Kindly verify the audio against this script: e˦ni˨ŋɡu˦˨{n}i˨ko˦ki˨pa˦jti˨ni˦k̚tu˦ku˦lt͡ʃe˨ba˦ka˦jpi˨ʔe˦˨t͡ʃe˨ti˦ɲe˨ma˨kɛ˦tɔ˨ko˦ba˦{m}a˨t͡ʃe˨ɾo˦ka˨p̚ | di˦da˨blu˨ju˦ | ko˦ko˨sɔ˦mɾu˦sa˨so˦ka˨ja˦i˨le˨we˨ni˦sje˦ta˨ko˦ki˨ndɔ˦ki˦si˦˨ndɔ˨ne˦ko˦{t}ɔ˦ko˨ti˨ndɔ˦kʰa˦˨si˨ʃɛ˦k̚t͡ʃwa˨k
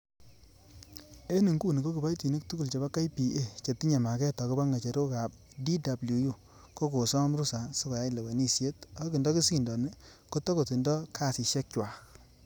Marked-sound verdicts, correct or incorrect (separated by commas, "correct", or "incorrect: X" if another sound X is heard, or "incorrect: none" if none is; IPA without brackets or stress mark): correct, incorrect: ŋ, correct